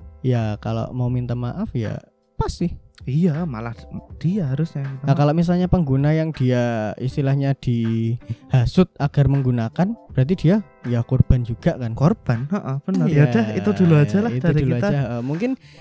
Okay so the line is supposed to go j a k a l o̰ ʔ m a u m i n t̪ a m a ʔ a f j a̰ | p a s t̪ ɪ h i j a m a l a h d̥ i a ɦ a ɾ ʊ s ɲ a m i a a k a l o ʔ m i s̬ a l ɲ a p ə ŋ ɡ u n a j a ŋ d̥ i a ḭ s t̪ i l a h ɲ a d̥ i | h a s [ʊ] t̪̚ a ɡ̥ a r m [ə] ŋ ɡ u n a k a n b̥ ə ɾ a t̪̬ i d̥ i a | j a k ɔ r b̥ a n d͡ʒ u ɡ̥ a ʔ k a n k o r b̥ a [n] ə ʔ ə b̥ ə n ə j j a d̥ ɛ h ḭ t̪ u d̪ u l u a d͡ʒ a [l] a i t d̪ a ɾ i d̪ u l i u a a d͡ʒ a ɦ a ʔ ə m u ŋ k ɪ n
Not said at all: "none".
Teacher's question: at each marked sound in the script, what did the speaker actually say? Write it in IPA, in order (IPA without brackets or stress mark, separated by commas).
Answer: ʊ, ə, n, l